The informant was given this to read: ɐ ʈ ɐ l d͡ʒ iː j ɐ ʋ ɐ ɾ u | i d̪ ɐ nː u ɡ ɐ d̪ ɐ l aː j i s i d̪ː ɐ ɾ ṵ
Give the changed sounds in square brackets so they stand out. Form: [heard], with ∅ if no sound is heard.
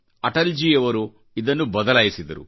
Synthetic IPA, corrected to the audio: ɐ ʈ ɐ l d͡ʒ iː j ɐ ʋ ɐ ɾ u | i d̪ ɐ nː u [b] ɐ d̪ ɐ l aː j i s i [d̪] ɐ ɾ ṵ